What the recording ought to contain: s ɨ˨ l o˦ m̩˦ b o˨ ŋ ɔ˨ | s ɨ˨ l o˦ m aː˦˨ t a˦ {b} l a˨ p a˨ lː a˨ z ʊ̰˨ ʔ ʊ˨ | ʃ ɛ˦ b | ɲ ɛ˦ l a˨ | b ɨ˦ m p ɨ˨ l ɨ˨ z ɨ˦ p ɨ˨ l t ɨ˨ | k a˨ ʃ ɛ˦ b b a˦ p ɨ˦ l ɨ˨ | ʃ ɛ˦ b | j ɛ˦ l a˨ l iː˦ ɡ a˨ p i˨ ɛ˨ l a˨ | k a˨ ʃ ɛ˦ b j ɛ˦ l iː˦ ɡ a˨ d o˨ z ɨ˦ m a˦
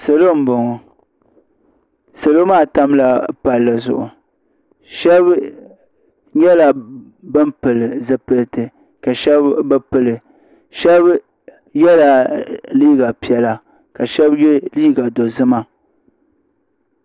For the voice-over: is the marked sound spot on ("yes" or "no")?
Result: no